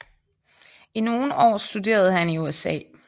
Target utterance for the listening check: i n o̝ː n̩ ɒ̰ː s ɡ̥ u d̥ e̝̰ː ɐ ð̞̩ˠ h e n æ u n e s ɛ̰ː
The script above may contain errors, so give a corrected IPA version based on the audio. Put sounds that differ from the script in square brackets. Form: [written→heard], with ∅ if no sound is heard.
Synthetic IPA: i n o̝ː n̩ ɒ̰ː s [ɡ̥→d̥] u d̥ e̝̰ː ɐ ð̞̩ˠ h [e→æ] n [æ→i] u [n→∅] e s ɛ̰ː

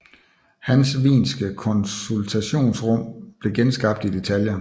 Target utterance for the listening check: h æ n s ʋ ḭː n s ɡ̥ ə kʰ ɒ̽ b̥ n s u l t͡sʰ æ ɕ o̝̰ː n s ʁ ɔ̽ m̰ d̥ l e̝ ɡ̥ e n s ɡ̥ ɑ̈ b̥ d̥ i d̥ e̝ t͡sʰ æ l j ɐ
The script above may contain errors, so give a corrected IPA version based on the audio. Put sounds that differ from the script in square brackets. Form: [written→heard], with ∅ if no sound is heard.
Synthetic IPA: h æ n s ʋ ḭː n s ɡ̥ ə kʰ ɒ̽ [b̥→∅] n s u l t͡sʰ æ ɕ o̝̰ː n s ʁ ɔ̽ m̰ [d̥→b̥] l e̝ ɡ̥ e n s ɡ̥ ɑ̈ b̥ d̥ i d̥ e̝ t͡sʰ æ l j ɐ

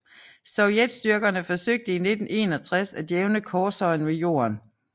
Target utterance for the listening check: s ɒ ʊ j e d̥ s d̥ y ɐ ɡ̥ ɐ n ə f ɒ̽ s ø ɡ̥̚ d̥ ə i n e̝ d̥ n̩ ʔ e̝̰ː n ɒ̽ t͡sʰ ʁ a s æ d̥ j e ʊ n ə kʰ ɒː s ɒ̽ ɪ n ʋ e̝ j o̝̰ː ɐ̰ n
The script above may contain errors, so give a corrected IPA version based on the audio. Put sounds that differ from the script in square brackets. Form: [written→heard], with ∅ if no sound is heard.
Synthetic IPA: s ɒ ʊ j e d̥ s d̥ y ɐ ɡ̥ ɐ n ə f ɒ̽ s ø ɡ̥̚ d̥ ə i n e̝ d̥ n̩ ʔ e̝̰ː n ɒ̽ t͡sʰ ʁ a s æ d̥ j e ʊ n ə kʰ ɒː s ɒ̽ ɪ n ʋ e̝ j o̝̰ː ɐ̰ n

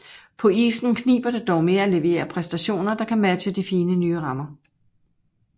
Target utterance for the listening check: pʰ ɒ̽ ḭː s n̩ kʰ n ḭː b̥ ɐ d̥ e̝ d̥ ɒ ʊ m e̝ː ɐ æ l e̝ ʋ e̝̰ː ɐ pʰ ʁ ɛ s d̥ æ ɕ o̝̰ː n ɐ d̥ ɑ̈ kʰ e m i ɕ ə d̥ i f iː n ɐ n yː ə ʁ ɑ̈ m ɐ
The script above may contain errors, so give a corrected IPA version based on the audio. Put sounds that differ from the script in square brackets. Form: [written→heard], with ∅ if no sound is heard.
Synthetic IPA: pʰ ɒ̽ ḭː s n̩ kʰ n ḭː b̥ ɐ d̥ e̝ d̥ ɒ ʊ m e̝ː ɐ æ l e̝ ʋ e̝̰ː ɐ pʰ ʁ ɛ s d̥ æ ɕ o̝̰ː n ɐ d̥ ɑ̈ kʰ [e→æ] m [i→æ] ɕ ə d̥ i f iː n [ɐ→ə] n yː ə ʁ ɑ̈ m ɐ

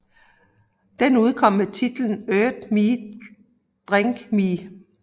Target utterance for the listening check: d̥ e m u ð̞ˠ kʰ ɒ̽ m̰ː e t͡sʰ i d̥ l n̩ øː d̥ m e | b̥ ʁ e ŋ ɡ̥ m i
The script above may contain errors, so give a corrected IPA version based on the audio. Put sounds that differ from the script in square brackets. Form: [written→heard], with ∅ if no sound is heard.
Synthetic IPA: d̥ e [m→n] u ð̞ˠ kʰ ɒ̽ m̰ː e t͡sʰ i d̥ l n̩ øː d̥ m [e→i] | [b̥→d̥] ʁ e ŋ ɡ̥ m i

